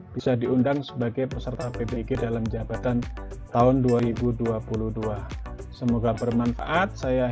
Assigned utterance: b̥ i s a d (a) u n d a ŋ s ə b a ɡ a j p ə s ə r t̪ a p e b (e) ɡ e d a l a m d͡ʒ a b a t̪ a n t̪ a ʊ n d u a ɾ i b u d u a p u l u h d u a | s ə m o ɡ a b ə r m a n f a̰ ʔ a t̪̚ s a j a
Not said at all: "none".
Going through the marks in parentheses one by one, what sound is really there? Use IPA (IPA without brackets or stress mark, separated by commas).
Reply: i, e